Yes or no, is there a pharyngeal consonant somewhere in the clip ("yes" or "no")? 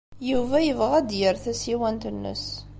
no